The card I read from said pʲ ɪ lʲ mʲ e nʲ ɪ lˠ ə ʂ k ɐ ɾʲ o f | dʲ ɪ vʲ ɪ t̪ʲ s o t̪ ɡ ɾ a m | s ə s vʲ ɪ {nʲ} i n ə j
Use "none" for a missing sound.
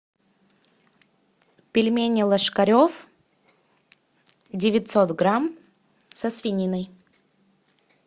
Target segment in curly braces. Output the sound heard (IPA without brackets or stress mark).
nʲ